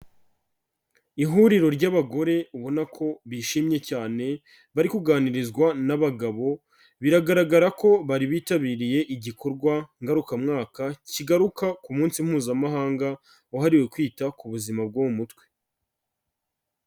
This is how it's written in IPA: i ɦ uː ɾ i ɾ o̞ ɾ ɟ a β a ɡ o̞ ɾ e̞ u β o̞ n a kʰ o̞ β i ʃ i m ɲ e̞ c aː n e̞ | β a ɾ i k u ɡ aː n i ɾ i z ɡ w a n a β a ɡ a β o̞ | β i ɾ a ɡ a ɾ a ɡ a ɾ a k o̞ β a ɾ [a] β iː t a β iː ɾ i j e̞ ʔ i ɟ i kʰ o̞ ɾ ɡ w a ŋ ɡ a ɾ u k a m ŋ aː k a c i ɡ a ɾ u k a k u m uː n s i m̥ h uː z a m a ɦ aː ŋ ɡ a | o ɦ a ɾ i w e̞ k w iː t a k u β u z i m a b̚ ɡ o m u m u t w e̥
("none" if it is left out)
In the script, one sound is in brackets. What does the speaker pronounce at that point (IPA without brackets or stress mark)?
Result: i